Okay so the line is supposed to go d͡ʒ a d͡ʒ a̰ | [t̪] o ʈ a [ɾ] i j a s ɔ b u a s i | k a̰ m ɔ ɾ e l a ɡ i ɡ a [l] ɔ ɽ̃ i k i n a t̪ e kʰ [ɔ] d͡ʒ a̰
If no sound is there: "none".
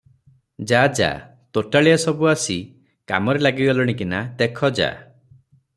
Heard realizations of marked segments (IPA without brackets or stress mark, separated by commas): t̪, ɭ, l, ɔ